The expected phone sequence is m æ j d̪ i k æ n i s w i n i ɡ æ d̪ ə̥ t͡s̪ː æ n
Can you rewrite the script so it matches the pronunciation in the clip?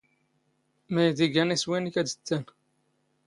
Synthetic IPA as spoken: m æ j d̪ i ɡ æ n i s w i n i k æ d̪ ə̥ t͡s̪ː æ n